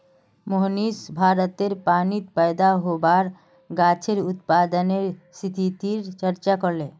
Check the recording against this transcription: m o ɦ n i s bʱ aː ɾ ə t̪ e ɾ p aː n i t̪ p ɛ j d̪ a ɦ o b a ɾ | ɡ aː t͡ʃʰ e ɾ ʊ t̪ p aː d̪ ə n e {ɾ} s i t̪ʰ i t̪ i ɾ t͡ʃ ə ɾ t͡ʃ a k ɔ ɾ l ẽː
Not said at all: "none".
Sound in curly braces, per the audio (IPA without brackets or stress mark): ɾ